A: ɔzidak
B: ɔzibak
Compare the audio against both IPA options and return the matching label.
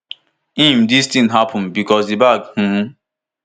B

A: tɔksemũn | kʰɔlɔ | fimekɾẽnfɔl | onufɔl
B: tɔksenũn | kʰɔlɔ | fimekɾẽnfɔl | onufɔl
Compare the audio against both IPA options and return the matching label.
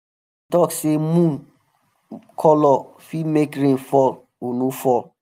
A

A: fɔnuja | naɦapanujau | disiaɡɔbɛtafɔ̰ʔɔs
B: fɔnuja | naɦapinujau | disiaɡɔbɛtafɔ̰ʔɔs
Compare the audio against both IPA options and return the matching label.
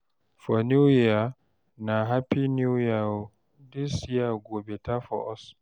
B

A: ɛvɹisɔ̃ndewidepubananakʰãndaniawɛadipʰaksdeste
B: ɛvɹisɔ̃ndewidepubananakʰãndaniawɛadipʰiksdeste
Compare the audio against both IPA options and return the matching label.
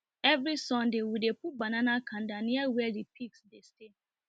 B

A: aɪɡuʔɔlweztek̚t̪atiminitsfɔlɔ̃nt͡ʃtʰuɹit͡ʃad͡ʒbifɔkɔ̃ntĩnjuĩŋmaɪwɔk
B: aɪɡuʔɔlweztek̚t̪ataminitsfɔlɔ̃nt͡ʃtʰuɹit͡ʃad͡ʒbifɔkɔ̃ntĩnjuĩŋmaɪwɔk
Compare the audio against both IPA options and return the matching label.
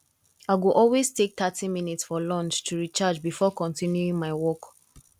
A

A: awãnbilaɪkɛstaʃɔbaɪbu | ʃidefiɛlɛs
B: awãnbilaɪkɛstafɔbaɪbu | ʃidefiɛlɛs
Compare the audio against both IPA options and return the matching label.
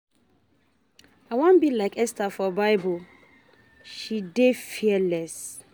B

